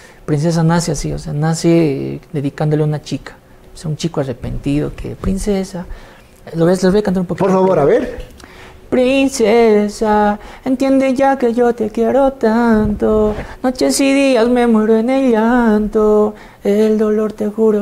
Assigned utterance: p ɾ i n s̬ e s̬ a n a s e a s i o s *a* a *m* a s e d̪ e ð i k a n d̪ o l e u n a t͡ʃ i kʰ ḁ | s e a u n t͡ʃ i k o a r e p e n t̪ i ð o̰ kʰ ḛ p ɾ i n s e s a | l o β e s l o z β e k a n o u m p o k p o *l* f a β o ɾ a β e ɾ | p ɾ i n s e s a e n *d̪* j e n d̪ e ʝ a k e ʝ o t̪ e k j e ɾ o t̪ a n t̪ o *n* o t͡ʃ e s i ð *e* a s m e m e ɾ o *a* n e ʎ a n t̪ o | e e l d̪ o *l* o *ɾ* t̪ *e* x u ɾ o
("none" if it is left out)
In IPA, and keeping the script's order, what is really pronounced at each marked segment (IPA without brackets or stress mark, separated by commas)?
e, n, ɾ, t̪, n, i, e, l, ɾ, e